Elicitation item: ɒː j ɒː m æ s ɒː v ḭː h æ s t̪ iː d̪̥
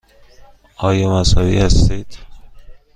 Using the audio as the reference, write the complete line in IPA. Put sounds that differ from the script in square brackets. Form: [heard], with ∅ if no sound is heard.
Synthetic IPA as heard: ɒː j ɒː m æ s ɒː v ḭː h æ s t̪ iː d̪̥